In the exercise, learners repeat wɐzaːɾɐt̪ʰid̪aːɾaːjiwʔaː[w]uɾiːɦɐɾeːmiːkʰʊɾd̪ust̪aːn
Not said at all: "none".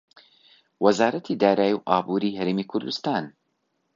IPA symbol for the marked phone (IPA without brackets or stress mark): b